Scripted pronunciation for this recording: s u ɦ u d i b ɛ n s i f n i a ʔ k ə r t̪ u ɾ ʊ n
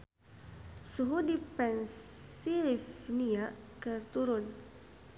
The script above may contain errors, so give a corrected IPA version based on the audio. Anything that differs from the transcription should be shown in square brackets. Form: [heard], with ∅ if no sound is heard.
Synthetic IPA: s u ɦ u d i [p] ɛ n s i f n i a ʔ k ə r t̪ u ɾ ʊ n